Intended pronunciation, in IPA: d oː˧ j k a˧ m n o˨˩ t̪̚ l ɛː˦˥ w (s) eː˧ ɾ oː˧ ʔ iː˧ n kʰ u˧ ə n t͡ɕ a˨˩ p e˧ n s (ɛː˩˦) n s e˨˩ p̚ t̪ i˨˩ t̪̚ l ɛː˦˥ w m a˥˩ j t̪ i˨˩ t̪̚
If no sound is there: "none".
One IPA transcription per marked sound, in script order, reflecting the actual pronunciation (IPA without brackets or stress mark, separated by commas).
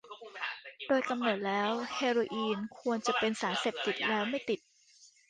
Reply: h, aː˩˦